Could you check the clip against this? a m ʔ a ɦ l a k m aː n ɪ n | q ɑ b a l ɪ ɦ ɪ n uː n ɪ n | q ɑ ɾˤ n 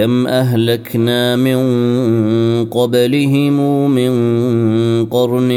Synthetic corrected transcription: a m ʔ a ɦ l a k n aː m ɪ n | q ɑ b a l ɪ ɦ ɪ m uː m ɪ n | q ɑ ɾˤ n